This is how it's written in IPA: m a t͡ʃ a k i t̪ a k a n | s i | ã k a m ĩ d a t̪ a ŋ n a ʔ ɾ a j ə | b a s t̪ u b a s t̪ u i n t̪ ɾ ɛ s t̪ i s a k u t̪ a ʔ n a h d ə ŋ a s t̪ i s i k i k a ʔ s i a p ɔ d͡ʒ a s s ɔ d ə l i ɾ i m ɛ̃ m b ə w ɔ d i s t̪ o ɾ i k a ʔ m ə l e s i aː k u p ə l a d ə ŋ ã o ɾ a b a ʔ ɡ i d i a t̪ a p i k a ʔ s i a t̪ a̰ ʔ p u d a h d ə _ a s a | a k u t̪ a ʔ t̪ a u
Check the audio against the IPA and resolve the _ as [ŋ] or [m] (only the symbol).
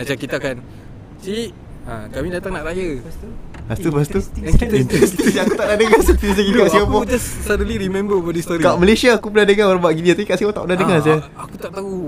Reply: ŋ